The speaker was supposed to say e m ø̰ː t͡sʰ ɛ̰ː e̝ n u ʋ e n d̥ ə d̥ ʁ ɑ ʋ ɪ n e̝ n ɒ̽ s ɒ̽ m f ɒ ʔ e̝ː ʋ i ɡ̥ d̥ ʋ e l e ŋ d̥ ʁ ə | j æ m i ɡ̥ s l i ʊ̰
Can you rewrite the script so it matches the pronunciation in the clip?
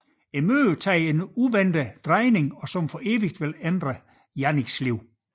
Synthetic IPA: e m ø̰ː t͡sʰ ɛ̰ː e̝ n u ʋ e n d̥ ə d̥ ʁ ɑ ɪ n e̝ ŋ ɒ̽ s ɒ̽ m f ɒ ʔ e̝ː ʋ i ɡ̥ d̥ ʋ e l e n d̥ ʁ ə | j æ n i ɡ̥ s l i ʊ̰